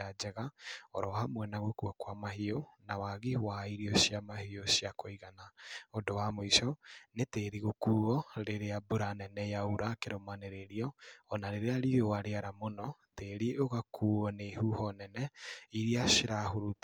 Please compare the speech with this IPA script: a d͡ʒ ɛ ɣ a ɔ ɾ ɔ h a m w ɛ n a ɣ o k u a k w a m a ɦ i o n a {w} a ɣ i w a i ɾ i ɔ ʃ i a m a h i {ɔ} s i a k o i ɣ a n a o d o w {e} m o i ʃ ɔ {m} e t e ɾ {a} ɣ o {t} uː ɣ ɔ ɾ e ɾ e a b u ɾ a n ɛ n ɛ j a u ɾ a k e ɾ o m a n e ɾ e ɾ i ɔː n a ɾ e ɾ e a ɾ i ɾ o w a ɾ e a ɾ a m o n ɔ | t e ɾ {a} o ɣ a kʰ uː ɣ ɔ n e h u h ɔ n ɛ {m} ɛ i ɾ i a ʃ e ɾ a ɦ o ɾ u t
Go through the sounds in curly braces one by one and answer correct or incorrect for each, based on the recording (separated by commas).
correct, incorrect, incorrect, incorrect, incorrect, incorrect, incorrect, incorrect